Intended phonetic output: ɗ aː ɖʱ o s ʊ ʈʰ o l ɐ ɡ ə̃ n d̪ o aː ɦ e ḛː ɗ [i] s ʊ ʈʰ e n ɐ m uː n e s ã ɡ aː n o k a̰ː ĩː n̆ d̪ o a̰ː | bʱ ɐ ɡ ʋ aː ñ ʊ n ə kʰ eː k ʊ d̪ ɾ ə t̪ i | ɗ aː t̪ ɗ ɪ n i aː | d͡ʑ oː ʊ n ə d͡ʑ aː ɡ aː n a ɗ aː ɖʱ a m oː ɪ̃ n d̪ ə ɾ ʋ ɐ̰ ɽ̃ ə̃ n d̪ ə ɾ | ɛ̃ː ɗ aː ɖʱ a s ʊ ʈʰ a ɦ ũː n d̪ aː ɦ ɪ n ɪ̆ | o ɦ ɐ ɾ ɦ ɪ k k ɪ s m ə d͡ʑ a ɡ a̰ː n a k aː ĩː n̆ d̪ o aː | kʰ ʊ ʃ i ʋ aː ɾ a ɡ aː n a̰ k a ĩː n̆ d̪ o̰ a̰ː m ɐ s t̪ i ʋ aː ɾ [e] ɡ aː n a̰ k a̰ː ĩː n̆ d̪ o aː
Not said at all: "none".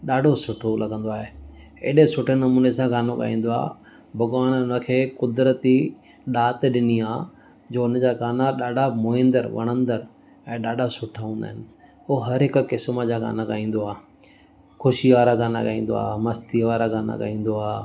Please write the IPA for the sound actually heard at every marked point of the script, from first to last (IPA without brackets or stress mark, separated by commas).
e, a